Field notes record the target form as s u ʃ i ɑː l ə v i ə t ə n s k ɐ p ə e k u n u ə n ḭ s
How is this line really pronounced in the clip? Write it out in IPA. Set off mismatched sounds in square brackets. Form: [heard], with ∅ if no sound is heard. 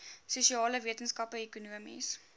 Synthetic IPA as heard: s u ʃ i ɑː l ə v i ə t ə n s k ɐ p ə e k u n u ə [m] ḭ s